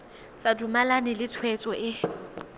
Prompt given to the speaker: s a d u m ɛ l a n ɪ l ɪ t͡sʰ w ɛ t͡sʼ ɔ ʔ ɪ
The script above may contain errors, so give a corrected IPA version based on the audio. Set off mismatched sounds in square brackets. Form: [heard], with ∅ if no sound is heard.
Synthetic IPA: s a d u m [a] l a n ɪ l ɪ t͡sʰ w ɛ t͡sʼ ɔ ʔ ɪ

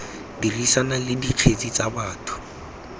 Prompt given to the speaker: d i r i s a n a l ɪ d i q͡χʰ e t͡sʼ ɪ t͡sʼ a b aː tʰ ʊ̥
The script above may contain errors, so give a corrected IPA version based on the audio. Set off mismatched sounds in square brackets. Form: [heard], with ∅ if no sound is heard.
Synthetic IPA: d i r i s a n a l ɪ d i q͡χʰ e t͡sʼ [i] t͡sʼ a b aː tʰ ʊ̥

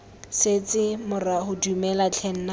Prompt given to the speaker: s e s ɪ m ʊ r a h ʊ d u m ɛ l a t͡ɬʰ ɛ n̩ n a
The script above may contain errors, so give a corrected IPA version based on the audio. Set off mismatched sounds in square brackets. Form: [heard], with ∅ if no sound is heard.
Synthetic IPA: s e [t͡s] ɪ m ʊ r a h ʊ d u m ɛ l a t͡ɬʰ ɛ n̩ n a

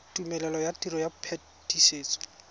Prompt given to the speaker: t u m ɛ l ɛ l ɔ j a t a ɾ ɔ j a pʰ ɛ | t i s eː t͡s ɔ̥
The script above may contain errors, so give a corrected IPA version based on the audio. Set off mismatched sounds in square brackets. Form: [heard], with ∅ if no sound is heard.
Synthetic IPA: t u m ɛ l ɛ l ɔ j a t [i] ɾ ɔ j a pʰ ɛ | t i s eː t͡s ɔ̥

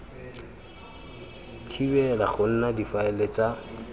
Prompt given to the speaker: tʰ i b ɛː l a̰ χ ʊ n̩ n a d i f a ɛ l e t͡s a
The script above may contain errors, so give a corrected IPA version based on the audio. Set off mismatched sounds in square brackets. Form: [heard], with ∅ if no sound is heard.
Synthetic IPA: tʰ i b [ɛ] l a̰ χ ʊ n̩ n a d i f a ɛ l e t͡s a

